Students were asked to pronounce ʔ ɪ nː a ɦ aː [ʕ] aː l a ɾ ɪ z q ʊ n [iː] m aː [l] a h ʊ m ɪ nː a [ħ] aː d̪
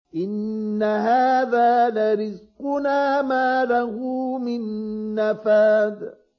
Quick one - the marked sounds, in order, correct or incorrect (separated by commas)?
incorrect, incorrect, correct, incorrect